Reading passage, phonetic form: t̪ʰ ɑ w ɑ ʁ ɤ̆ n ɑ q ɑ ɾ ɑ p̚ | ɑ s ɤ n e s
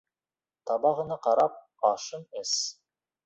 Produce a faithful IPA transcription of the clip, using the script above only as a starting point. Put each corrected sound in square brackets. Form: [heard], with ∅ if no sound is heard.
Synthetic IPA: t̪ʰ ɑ [b] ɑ ʁ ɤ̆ n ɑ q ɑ ɾ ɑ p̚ | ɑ [ʃ] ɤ n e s